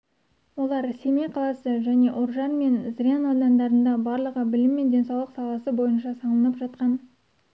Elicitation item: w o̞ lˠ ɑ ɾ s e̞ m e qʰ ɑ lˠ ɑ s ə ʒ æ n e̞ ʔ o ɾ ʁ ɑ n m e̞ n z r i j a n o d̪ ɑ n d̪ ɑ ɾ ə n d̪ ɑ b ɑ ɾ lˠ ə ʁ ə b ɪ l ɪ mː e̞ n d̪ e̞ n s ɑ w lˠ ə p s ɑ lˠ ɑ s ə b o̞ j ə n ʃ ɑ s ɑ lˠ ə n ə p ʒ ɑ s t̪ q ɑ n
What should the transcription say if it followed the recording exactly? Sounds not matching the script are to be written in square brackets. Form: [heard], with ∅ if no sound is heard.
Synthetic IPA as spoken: w o̞ lˠ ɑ ɾ s e̞ m e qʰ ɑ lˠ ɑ s ə ʒ æ n e̞ ʔ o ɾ [ʒ] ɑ n m e̞ n z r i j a n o d̪ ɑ n d̪ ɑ ɾ ə n d̪ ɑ b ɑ ɾ lˠ ə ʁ ə b ɪ l ɪ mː e̞ n d̪ e̞ n s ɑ w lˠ ə [q] s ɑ lˠ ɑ s ə b o̞ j ə n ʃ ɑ s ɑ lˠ ə n ə p ʒ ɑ [∅] t̪ q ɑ n